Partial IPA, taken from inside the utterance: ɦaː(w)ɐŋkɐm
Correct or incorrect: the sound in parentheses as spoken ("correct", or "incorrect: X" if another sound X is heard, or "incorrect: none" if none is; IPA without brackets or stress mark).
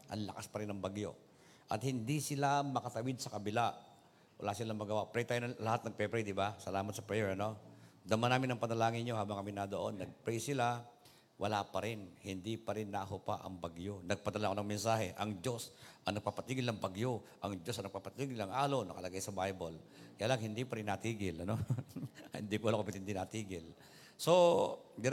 incorrect: b